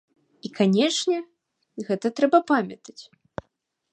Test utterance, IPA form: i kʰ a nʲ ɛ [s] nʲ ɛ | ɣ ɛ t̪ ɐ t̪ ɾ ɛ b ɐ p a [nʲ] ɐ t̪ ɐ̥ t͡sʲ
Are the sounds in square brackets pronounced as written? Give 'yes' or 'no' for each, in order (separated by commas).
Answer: no, no